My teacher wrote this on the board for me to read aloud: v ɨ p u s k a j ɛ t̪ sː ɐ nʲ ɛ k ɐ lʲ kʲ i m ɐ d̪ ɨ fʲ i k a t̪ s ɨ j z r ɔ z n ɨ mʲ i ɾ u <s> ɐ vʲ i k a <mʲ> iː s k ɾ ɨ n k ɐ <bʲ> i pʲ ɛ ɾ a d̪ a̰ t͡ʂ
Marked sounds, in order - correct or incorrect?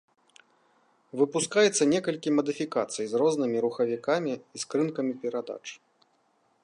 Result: incorrect: x, correct, incorrect: mʲ

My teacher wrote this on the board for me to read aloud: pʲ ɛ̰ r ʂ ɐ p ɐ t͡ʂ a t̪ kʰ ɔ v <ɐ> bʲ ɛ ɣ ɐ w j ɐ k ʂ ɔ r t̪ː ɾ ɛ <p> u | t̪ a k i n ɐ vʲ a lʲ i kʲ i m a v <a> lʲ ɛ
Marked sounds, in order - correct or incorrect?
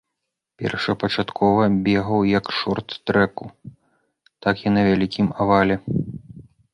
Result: correct, incorrect: k, correct

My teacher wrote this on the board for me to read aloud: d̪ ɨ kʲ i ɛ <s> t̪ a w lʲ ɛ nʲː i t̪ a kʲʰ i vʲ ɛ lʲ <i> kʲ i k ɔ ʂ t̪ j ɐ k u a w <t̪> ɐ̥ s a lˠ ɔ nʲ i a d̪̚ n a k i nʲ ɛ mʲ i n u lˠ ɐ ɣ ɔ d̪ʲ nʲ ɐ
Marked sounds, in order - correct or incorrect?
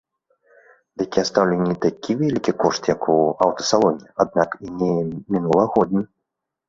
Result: correct, correct, correct

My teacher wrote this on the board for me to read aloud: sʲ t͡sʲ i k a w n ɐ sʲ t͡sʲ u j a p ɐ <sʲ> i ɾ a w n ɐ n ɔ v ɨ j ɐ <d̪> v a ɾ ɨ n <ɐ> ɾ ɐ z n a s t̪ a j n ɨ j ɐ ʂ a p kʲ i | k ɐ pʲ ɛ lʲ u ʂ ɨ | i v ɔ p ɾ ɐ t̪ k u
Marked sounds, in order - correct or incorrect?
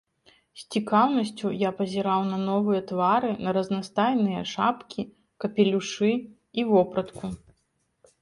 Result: incorrect: zʲ, incorrect: t̪, correct

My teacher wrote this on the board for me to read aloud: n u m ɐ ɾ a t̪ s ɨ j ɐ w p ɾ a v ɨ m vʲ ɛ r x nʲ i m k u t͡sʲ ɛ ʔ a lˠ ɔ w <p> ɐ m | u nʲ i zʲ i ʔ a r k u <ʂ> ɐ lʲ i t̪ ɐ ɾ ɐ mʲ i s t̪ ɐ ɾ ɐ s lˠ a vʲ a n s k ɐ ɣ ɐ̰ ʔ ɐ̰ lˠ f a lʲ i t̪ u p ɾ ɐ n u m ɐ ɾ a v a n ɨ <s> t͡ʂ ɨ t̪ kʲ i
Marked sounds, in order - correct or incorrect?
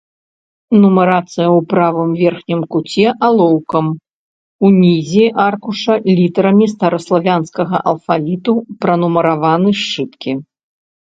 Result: incorrect: k, correct, incorrect: ʂ

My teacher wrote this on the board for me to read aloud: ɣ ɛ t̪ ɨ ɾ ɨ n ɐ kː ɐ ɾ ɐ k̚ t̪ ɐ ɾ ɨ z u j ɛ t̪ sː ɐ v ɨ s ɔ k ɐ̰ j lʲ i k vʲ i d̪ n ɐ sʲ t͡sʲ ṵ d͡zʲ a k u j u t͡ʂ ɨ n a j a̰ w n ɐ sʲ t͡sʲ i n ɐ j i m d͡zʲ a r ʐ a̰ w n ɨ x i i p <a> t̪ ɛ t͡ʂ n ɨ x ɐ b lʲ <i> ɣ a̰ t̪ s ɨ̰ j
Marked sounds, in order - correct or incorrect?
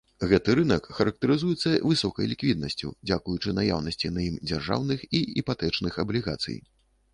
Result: correct, correct

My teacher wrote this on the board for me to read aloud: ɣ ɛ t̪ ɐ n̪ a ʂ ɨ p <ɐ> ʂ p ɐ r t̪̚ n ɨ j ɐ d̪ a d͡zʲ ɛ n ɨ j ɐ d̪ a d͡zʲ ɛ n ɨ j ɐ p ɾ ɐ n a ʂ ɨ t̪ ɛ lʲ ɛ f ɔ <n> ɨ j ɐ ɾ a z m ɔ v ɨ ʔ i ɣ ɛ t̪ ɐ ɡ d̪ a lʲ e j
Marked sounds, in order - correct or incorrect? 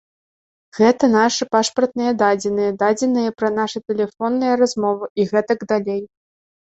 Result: incorrect: a, incorrect: nː

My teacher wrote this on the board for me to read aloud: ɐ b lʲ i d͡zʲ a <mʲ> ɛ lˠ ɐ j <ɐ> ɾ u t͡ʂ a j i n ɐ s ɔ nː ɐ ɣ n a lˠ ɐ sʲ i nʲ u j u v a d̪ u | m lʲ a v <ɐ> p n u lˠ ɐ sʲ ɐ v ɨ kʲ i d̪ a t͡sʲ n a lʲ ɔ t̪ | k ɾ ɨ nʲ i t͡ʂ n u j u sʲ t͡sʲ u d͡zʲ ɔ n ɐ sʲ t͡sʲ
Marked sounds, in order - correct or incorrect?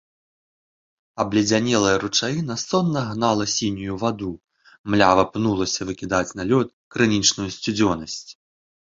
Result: incorrect: nʲ, correct, correct

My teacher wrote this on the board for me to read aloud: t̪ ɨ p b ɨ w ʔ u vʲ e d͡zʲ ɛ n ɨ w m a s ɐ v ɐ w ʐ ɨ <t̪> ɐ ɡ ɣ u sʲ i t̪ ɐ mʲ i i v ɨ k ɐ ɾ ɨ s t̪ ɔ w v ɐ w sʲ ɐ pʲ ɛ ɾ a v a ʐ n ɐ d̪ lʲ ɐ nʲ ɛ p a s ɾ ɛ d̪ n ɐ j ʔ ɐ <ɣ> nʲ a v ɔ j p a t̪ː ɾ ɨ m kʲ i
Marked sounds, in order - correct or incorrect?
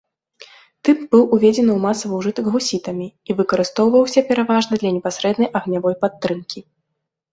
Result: correct, correct

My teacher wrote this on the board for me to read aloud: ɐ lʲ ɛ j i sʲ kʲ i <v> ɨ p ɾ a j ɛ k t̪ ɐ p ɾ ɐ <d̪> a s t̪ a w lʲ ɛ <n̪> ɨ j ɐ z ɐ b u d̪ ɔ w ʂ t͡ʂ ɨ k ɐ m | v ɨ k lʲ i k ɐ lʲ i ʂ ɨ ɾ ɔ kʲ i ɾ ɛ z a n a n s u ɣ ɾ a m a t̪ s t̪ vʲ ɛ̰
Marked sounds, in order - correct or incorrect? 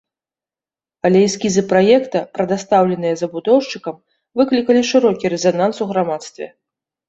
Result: incorrect: z, correct, correct

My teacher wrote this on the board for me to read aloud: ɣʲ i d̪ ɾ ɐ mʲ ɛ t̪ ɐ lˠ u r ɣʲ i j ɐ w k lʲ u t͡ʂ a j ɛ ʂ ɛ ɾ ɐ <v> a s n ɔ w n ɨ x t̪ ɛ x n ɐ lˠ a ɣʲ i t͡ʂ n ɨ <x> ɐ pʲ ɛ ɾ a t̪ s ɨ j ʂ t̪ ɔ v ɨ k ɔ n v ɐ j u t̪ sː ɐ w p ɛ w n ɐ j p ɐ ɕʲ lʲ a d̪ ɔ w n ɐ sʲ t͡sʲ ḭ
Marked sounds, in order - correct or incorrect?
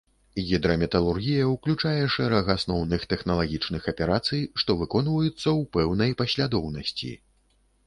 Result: incorrect: ɣ, correct

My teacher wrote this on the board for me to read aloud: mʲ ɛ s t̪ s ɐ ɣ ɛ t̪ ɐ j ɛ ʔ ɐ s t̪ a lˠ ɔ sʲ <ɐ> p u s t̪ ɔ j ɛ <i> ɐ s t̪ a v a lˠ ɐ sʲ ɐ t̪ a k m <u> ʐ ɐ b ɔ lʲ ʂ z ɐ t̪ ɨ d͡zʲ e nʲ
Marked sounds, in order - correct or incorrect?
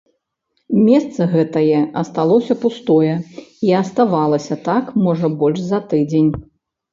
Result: correct, correct, incorrect: ɔ

